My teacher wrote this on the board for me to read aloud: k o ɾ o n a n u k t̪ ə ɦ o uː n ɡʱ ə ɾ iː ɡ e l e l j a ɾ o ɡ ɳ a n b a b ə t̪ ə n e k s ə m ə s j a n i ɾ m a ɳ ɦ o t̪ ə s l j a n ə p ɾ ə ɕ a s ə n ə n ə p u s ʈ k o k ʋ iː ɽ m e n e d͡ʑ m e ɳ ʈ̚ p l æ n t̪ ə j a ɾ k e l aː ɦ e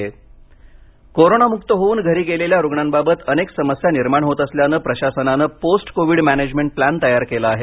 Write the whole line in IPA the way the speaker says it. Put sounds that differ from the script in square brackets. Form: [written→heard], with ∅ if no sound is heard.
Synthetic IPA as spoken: k o ɾ o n a [n→m] u k t̪ ə ɦ o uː n ɡʱ ə ɾ iː ɡ e l e l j a ɾ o ɡ ɳ a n b a b ə t̪ ə n e k s ə m ə s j a n i ɾ m a ɳ ɦ o t̪ ə s l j a n ə p ɾ ə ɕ a s ə n [ə→a] n ə p [u→o] s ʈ k o [k→∅] ʋ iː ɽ m [e→æ] n e d͡ʑ m e ɳ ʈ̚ p l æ n t̪ ə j a ɾ k e l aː ɦ e